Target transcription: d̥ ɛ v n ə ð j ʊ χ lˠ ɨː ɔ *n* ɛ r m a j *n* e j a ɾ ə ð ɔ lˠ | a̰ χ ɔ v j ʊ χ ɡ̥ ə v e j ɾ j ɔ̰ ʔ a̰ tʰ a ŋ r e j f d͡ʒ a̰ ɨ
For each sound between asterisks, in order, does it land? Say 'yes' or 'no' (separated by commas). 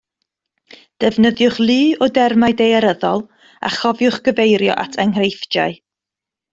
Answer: no, no